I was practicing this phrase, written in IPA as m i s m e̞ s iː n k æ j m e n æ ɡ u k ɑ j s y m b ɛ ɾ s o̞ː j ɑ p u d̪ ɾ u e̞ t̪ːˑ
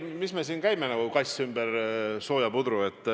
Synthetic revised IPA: m i s m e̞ s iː n k æ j m e n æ ɡ u k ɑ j s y m b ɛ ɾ s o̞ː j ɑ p u d̪ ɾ u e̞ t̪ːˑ